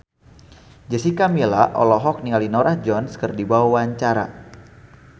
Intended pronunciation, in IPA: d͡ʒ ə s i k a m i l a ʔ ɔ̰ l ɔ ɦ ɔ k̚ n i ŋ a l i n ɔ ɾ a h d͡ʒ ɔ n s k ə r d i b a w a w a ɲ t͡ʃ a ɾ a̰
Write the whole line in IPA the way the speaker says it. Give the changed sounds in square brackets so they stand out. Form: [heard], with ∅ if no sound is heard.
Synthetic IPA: d͡ʒ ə s i k a m i l a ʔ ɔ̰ l ɔ ɦ ɔ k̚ n i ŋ a l i n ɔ ɾ a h d͡ʒ ɔ n s k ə r d i b a w a w a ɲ t͡ʃ a ɾ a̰